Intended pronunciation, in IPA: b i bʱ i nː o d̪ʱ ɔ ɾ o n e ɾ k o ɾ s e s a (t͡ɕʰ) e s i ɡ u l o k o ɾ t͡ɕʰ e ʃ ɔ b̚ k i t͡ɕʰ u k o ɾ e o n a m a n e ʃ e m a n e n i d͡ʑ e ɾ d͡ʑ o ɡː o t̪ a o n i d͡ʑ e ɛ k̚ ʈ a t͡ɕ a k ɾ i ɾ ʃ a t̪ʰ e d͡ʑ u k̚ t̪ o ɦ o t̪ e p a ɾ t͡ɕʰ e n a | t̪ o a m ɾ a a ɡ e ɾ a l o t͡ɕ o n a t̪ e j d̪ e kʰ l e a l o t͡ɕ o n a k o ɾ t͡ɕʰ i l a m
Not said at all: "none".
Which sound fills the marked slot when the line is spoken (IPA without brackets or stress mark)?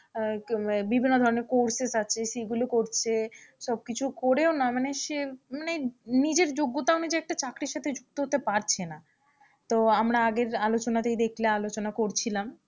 t͡ɕʰ